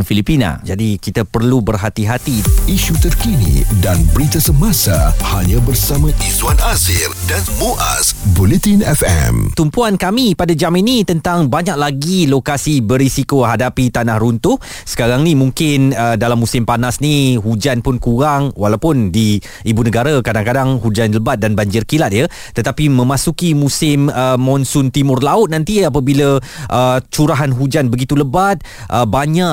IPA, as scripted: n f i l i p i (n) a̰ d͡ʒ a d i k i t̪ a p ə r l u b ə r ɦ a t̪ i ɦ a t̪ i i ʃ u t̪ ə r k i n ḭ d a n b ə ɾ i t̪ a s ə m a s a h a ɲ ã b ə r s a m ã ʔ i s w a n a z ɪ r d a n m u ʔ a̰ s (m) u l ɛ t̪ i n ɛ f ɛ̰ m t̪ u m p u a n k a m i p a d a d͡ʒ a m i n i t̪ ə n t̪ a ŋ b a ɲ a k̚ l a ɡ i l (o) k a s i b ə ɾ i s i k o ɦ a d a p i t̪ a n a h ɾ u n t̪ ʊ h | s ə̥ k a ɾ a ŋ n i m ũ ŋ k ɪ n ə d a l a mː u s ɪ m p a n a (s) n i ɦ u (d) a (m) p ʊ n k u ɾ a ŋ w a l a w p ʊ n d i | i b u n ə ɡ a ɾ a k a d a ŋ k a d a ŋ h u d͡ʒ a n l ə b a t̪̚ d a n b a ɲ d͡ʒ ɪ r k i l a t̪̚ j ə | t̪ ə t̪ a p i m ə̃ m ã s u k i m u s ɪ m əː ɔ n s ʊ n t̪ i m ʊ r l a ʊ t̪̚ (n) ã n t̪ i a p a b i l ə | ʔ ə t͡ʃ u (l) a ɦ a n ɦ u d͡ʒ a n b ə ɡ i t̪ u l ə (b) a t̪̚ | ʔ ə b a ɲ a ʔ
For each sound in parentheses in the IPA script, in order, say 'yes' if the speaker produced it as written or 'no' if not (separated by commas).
yes, no, yes, yes, no, no, yes, no, yes